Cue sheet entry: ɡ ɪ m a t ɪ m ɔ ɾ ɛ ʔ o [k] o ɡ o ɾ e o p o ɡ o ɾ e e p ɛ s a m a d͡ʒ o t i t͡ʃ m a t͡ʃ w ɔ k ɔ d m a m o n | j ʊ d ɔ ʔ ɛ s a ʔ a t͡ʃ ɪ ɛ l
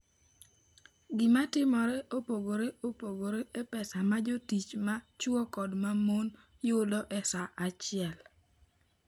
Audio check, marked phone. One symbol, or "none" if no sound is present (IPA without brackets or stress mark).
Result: p